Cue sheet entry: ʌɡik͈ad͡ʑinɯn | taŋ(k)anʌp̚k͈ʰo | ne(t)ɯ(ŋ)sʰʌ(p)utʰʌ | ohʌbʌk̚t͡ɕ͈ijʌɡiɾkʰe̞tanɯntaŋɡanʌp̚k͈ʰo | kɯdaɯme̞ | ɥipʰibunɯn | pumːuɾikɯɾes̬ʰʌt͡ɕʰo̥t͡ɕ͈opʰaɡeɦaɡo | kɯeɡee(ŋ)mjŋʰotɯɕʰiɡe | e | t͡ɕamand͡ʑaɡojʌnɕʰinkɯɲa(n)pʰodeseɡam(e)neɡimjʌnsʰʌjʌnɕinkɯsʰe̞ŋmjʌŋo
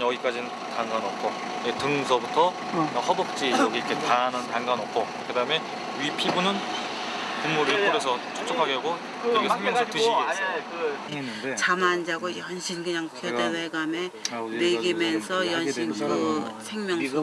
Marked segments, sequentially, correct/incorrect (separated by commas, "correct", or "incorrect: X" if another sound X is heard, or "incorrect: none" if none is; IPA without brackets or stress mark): incorrect: ɡ, correct, correct, incorrect: b, correct, incorrect: ŋ, correct